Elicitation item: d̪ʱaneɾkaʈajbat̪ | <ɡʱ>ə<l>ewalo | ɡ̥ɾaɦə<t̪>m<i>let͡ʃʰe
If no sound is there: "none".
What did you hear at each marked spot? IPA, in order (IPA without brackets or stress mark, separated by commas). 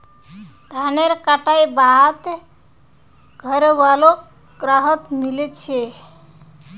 ɡʱ, ɾ, t̪, i